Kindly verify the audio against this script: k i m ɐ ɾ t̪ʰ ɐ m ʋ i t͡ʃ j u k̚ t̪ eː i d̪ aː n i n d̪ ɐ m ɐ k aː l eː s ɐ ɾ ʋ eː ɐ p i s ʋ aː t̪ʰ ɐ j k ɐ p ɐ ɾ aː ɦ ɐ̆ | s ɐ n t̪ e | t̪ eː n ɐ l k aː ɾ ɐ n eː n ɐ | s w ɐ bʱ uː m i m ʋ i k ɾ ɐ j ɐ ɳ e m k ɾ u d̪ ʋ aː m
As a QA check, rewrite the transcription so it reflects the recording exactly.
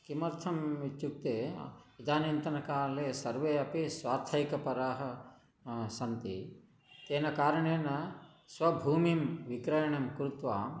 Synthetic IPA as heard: k i m ɐ ɾ t̪ʰ ɐ m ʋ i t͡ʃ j u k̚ t̪ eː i d̪ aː n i n t̪ ɐ n ɐ k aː l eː s ɐ ɾ ʋ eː ɐ p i s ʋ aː t̪ʰ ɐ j k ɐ p ɐ ɾ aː ɦ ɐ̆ | s ɐ n t̪ i | t̪ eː n ɐ k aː ɾ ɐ ɳ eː n ɐ | s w ɐ bʱ uː m i m ʋ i k ɾ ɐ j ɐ ɳ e m k ɾ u t̪ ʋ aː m